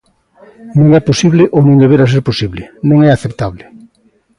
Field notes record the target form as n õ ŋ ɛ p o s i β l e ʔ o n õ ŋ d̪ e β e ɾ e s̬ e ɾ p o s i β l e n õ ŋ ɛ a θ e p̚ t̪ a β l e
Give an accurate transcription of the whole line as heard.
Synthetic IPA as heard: n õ ŋ ɛ p o s i β l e ʔ o n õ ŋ d̪ e β e ɾ a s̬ e ɾ p o s i β l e n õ ŋ ɛ a θ e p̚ t̪ a β l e

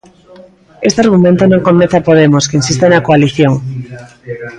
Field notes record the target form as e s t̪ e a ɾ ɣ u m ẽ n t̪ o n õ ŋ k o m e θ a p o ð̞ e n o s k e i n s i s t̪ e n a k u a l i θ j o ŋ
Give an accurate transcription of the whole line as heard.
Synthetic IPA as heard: e s t̪ e a ɾ ɣ u m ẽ n t̪ o n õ ŋ k o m e θ a p o ð̞ e m o s k e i n s i s t̪ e n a k o a l i θ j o ŋ

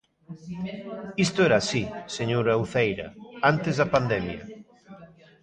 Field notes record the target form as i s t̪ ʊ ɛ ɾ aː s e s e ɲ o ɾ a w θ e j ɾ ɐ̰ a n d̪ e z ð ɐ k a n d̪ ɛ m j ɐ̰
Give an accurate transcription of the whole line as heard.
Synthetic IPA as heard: i s t̪ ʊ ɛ ɾ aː s i s e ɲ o ɾ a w θ e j ɾ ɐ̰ a n t̪ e z ð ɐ p a n d̪ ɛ m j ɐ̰

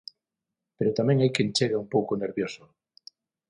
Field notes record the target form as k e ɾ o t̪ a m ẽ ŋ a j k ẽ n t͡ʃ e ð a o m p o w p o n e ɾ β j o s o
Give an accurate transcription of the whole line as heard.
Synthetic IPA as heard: p e ɾ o t̪ a m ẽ ŋ a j k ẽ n t͡ʃ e ɣ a u m p o w k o n e ɾ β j o s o

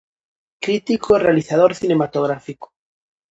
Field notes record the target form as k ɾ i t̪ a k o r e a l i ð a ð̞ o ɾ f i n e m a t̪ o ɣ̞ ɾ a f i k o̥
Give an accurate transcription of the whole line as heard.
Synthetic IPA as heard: k ɾ i t̪ i k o r e a l i θ a ð̞ o ɾ θ i n e m a t̪ o ɣ̞ ɾ a f i k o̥

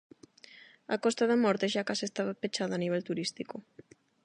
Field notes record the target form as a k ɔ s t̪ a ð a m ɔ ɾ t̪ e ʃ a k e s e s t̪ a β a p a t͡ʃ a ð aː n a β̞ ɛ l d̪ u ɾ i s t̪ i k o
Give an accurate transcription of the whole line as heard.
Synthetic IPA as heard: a k ɔ s t̪ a ð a m ɔ ɾ t̪ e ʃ a k a s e s t̪ a β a p e t͡ʃ a ð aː n i β̞ ɛ l t̪ u ɾ i s t̪ i k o

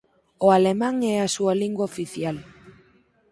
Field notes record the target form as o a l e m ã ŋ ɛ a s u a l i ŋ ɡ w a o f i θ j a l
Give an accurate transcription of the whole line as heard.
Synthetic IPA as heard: o a l e m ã ŋ ɛ a s u a l i ŋ ɡ w a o f i θ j a l

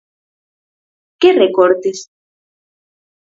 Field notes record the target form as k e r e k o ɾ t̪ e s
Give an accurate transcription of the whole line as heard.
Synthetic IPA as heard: k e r e k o ɾ t̪ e s

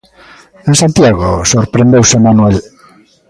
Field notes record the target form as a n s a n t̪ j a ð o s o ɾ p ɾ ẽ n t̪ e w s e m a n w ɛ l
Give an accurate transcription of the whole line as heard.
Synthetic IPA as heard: e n s a n t̪ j a ɣ o s o ɾ p ɾ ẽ n d̪ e w s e m a n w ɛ l

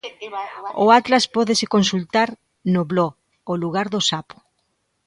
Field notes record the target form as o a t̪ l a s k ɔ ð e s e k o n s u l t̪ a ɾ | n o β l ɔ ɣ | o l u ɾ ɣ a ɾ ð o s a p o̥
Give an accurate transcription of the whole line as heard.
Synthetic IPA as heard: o a t̪ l a s p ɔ ð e s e k o n s u l t̪ a ɾ | n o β l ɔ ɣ | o l u ɣ a ɾ ð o s a p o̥

